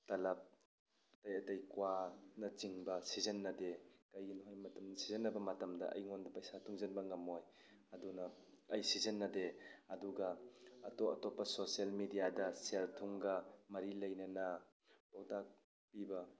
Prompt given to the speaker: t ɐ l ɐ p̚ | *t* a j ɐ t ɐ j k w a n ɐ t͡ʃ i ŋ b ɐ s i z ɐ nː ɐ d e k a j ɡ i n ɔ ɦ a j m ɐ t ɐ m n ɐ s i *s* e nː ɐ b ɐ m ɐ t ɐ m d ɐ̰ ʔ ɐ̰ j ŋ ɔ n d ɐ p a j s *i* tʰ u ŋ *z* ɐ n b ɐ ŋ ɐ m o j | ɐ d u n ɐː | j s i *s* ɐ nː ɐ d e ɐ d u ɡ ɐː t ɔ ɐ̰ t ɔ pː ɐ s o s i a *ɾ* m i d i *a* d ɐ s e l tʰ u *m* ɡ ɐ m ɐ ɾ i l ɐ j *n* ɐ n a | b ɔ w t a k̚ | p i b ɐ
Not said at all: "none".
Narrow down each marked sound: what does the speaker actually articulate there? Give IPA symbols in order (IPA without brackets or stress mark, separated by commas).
t, z, a, z, z, l, a, ŋ, n